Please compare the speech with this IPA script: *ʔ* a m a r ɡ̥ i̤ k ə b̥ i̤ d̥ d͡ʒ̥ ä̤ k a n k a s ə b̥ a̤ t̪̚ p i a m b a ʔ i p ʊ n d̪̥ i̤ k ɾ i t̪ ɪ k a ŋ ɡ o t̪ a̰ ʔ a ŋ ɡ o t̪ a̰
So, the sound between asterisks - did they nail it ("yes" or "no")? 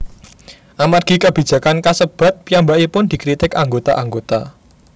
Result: yes